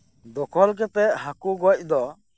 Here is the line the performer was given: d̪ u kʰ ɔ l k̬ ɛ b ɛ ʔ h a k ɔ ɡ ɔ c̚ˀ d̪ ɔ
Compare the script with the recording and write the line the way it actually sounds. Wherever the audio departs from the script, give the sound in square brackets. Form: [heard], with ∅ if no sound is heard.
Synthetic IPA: d̪ [ɔ] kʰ ɔ l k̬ ɛ [p] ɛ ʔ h a k [u] ɡ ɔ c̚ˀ d̪ ɔ